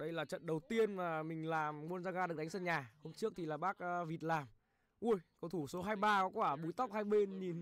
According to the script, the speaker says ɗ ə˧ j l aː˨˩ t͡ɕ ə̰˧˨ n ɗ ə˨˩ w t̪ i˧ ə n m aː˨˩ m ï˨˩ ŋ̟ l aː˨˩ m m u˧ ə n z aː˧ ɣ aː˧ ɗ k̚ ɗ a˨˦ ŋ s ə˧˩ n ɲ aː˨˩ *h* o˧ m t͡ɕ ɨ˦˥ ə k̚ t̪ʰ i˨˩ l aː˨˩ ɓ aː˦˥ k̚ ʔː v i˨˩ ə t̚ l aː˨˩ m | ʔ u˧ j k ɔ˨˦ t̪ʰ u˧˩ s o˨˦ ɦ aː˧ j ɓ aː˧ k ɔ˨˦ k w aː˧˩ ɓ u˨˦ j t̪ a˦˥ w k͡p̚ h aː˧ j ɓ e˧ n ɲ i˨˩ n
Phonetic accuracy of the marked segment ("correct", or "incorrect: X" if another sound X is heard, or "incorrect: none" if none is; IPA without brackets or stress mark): correct